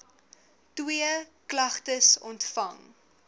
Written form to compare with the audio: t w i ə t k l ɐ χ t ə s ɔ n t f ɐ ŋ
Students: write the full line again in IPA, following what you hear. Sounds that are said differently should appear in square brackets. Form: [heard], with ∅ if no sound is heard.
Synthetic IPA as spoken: t w i ə [∅] k l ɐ χ t ə s ɔ n t f ɐ ŋ